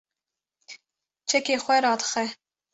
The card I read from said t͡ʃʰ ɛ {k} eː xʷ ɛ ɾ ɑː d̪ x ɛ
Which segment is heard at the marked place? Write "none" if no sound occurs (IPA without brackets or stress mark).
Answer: k